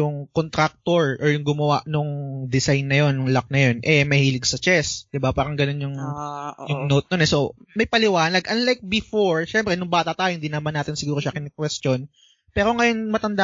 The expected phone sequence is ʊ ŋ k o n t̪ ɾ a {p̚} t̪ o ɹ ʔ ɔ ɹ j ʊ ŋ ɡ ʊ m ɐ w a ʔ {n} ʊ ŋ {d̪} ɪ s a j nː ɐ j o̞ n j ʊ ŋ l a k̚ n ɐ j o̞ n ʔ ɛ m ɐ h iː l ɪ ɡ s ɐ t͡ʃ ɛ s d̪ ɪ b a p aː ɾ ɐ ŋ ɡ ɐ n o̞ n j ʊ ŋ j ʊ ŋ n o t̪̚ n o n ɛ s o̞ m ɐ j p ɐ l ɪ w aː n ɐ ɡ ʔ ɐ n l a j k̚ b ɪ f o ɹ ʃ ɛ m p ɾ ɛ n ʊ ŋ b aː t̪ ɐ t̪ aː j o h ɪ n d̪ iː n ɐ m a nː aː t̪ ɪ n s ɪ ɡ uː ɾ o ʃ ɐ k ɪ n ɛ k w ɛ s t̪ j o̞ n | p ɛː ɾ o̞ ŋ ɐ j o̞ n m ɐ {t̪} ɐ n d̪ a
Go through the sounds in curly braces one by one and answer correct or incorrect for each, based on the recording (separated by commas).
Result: incorrect, correct, correct, correct